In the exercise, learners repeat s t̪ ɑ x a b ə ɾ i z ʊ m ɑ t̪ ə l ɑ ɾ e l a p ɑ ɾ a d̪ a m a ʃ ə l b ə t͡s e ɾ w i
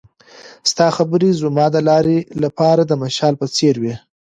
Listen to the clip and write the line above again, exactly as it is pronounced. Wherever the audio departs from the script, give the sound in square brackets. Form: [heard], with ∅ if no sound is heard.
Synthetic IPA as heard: s t̪ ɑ x a b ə ɾ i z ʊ m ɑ [d̪] ə l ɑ ɾ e l a p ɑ ɾ a d̪ [ə] m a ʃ [ɑ] l [p] ə t͡s e ɾ w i